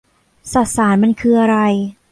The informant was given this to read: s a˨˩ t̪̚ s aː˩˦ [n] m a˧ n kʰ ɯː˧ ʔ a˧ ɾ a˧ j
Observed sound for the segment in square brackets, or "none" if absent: n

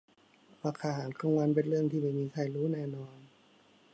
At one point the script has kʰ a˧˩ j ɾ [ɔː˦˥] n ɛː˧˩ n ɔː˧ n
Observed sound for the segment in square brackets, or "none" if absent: uː˦˥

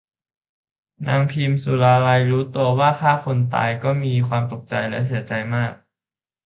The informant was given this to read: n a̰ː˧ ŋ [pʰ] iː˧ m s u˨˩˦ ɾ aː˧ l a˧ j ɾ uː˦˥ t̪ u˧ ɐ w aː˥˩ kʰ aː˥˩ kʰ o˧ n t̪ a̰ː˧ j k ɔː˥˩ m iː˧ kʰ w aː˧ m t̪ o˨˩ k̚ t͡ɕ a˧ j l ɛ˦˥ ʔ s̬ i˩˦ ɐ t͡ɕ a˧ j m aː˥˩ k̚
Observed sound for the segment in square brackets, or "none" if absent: pʰ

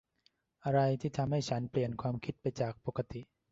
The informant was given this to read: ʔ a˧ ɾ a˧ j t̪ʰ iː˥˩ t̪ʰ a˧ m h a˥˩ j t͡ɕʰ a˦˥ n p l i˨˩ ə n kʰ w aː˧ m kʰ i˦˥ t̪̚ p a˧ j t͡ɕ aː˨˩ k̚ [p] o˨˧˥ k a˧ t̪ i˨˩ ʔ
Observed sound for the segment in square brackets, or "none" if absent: p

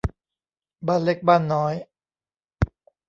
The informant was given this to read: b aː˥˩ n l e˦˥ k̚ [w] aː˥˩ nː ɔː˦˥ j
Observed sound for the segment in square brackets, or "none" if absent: b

